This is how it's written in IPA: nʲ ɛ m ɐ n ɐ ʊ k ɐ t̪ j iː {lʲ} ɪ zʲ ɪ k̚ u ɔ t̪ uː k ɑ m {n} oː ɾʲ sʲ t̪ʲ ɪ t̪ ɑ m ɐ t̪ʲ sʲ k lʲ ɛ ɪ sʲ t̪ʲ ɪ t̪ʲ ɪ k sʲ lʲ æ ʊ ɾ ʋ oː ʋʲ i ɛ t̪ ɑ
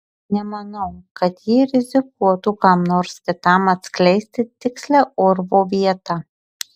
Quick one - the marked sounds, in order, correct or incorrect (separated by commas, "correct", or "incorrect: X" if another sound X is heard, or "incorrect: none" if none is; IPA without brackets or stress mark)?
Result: incorrect: ɾʲ, correct